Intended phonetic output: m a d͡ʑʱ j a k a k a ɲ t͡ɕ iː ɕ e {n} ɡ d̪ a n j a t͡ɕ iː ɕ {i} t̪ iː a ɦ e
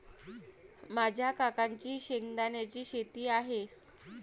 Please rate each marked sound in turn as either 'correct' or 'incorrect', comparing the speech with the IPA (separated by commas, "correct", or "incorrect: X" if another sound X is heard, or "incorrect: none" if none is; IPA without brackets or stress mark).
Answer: incorrect: ŋ, incorrect: e